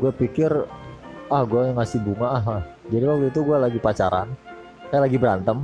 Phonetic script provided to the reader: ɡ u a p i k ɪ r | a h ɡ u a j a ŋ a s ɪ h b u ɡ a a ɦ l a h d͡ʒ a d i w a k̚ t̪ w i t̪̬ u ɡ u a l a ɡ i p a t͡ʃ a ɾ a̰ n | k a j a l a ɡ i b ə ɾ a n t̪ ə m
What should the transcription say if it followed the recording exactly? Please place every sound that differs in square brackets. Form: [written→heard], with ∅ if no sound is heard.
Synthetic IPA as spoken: ɡ u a p i k ɪ r | a h ɡ u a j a ŋ a s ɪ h b u [ɡ→ŋ] a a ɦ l a h d͡ʒ a d i w a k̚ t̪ [w→u] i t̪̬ u ɡ u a l a ɡ i p a t͡ʃ a ɾ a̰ n | k a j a l a ɡ i b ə ɾ a n t̪ ə m